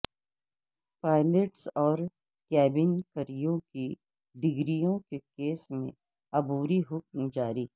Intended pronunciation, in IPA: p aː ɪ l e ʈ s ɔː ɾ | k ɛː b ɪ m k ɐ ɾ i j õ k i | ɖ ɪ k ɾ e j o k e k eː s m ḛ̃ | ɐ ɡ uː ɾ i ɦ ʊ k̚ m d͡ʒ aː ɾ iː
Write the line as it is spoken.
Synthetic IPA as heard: p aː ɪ l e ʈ s ɔː ɾ | k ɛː b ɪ n k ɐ ɾ i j õ k i | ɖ ɪ ɡ ɾ i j õ k e k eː s m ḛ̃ | ɐ b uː ɾ i ɦ ʊ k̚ m d͡ʒ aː ɾ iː